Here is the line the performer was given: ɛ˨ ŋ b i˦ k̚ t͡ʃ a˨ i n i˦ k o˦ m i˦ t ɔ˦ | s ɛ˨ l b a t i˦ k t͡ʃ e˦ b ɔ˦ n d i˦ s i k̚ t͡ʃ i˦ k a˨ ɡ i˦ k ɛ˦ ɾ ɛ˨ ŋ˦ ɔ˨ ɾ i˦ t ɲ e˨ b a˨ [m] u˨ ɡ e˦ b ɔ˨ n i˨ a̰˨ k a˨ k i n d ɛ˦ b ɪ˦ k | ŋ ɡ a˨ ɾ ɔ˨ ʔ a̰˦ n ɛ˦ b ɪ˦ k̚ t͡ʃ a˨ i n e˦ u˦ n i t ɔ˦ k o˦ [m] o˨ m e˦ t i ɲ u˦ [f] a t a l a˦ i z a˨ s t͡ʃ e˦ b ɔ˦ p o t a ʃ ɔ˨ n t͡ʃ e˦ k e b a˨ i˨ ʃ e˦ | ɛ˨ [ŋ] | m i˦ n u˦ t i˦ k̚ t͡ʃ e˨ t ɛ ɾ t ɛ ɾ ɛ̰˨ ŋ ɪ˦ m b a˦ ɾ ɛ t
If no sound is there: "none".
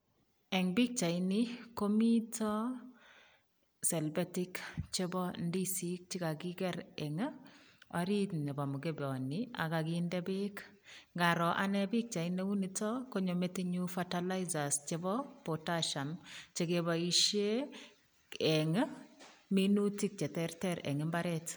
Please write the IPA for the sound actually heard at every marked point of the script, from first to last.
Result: m, ɲ, f, ŋ

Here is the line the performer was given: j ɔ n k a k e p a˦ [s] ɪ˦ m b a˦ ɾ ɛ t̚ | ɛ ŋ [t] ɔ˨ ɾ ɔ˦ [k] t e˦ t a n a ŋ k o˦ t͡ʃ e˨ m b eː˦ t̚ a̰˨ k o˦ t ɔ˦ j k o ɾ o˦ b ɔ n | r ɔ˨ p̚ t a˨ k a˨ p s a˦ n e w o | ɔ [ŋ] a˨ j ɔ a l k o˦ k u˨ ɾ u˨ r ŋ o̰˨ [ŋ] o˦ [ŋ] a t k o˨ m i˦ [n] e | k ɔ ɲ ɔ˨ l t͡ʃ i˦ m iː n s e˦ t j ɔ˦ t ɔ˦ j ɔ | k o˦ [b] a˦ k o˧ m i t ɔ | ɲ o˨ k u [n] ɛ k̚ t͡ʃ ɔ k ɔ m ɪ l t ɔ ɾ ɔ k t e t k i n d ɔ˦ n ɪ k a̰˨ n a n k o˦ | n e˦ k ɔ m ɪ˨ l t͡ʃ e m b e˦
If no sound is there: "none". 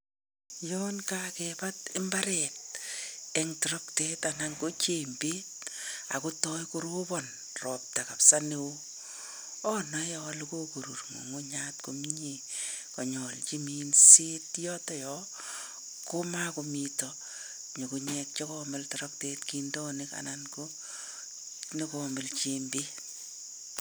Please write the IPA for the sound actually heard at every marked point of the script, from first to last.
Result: t, t, k, n, ŋ, ɲ, ɲ, m, ɲ

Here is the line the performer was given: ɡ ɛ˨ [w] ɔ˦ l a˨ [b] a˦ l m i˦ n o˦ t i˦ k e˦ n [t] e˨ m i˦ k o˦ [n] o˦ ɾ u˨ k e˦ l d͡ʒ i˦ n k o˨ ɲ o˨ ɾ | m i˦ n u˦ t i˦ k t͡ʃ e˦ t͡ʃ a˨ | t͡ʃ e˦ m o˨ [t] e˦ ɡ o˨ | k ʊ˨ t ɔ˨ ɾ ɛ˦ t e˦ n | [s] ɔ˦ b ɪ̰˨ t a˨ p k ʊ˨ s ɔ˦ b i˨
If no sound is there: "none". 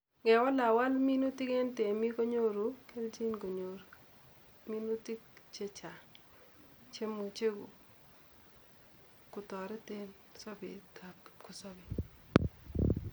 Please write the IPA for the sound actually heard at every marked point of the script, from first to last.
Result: w, w, t, ɲ, t͡ʃ, s

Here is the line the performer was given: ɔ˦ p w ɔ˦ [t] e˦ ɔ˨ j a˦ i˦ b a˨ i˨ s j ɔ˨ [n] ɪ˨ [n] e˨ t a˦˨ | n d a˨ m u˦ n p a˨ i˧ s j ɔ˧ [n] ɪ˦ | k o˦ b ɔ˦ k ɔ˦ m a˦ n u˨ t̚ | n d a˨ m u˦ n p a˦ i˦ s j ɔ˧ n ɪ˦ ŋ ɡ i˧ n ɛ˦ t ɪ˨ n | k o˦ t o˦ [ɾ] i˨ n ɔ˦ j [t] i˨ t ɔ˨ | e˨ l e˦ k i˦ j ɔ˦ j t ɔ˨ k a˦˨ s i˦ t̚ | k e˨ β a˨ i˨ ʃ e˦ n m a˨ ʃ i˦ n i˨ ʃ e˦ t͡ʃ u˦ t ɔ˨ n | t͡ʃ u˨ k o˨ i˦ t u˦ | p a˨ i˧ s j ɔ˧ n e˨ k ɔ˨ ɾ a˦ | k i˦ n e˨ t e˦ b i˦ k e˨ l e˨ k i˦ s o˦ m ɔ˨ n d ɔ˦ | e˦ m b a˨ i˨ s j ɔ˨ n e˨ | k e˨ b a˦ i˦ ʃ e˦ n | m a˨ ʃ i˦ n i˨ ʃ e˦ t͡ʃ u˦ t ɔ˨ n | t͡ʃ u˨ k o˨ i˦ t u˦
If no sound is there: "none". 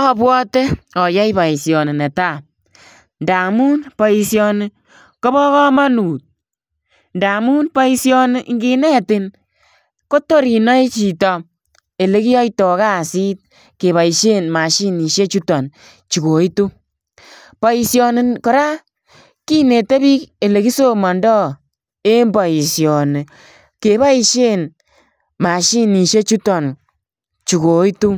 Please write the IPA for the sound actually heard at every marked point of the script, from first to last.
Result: t, n, n, n, ɾ, t͡ʃ

